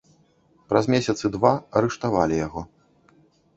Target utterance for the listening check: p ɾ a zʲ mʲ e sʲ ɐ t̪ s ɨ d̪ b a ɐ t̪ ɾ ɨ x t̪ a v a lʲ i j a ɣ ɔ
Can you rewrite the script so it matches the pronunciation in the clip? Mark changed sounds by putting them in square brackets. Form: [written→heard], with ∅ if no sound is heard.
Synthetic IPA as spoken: p ɾ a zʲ mʲ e sʲ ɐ t̪ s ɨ d̪ [b→v] a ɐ [t̪→∅] ɾ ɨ [x→ʂ] t̪ a v a lʲ i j a ɣ ɔ